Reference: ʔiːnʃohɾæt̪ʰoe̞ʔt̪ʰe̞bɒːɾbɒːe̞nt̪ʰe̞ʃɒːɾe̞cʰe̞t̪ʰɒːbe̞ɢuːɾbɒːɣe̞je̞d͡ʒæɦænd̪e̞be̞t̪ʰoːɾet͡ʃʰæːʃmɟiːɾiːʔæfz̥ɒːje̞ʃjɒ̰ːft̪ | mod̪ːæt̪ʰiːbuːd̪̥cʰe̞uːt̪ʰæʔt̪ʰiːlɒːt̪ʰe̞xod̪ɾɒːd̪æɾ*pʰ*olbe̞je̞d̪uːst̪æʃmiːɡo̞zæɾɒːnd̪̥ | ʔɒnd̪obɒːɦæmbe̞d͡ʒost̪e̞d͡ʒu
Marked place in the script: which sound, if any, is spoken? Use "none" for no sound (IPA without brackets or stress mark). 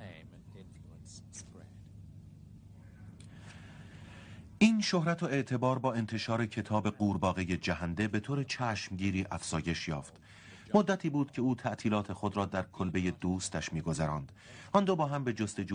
kʰ